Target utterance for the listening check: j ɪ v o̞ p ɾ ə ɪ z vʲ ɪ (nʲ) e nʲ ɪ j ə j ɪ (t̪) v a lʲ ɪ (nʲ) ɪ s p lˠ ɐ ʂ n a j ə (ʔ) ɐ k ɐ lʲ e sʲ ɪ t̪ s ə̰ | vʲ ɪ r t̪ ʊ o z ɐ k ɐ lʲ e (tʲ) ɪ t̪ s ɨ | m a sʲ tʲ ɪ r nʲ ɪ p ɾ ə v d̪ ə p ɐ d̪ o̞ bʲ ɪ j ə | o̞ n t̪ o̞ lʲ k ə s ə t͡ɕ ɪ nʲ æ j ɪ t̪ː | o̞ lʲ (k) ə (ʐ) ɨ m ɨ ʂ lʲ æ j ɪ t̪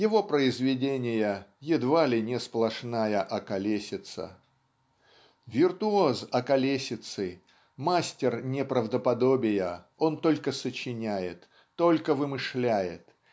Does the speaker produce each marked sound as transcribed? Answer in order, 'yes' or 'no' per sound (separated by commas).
no, no, yes, yes, no, yes, no